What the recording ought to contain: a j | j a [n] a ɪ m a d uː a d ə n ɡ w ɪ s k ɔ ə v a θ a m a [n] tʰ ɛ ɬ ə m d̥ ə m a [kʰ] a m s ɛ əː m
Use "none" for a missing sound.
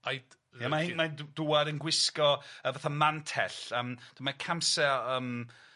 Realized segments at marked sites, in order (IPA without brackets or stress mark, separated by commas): m, n, kʰ